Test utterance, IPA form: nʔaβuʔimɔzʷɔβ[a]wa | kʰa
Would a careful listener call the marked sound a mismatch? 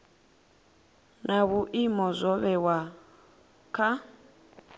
yes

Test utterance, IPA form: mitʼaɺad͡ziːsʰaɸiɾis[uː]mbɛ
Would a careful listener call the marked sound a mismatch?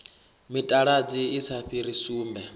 no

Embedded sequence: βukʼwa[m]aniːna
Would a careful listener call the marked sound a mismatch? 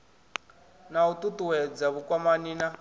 no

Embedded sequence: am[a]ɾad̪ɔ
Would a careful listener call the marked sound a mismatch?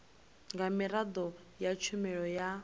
yes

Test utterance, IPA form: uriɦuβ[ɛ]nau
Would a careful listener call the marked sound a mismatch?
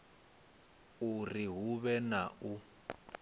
no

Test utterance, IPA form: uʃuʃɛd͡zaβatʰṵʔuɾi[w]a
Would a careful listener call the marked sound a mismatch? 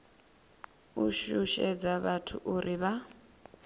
yes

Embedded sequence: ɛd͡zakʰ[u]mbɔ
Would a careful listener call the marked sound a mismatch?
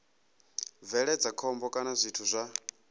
yes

